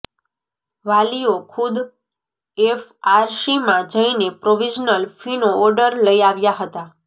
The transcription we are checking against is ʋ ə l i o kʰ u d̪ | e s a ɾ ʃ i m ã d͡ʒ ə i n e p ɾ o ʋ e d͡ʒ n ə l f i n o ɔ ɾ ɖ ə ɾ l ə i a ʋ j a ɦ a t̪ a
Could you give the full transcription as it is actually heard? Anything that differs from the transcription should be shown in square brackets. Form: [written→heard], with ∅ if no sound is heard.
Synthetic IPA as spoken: ʋ [ə→a] l i o kʰ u d̪ | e [s→f] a ɾ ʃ i m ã d͡ʒ ə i n e p ɾ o ʋ [e→i] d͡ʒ n ə l f i n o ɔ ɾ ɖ ə ɾ l ə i a ʋ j a ɦ [a→ə] t̪ a